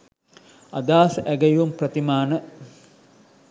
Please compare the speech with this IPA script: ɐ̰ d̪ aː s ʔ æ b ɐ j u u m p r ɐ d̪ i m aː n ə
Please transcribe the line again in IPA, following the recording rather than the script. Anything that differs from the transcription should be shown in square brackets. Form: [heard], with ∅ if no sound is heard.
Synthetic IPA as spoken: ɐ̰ d̪ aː s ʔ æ [ɡ] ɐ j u u m p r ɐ [t̪] i m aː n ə